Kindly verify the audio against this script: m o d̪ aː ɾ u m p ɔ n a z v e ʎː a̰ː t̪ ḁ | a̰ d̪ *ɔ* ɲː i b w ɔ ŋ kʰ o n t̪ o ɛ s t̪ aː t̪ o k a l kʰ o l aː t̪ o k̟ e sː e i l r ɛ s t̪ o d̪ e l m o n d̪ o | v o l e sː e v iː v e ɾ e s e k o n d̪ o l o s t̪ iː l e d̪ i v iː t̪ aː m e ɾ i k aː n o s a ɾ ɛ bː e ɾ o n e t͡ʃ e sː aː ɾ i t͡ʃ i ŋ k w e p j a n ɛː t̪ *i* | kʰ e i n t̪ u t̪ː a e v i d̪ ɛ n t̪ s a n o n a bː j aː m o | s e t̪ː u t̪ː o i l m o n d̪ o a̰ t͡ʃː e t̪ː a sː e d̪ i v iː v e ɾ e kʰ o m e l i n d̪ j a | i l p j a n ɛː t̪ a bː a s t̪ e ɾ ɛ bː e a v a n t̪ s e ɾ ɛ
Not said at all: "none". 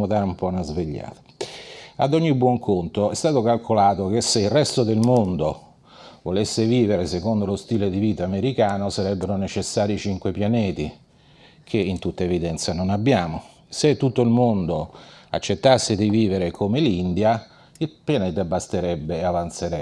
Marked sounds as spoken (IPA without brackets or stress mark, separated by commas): ɔ, i